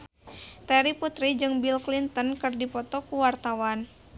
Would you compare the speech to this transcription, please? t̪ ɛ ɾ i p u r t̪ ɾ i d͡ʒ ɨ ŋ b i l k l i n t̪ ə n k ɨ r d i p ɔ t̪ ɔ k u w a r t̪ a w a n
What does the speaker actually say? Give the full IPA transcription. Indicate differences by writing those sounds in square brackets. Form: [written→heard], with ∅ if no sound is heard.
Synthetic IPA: t̪ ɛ ɾ i p u [r→∅] t̪ ɾ i d͡ʒ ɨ ŋ b i l k l i n t̪ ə n k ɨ r d i p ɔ t̪ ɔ k u w a r t̪ a w a n